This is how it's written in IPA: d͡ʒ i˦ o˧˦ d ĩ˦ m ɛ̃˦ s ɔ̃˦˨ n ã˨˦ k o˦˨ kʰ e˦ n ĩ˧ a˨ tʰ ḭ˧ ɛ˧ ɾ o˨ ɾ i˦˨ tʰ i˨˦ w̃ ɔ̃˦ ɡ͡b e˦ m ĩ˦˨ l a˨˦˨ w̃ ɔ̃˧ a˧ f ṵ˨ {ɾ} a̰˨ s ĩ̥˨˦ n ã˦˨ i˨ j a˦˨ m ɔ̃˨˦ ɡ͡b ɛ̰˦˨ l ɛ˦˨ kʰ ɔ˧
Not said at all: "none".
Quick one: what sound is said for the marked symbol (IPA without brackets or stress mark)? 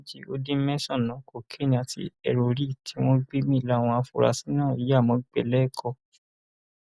ɾ